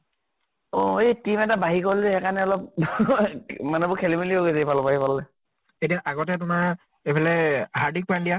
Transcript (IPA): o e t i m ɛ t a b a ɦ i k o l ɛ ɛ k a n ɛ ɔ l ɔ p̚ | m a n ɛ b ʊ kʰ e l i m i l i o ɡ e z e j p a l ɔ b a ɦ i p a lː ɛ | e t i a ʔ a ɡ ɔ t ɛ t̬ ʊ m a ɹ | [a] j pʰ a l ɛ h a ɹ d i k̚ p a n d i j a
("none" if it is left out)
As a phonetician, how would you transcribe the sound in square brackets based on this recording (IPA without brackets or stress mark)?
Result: e